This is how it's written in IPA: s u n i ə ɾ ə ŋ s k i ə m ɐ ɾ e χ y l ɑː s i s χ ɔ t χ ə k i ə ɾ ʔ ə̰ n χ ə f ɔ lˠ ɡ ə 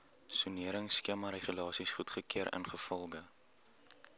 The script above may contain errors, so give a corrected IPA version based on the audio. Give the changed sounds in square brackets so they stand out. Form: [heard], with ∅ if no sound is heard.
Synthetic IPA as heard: s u n i ə ɾ ə ŋ s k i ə m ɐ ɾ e χ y l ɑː s i s χ [u] t χ ə k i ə ɾ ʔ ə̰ n χ ə f ɔ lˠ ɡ ə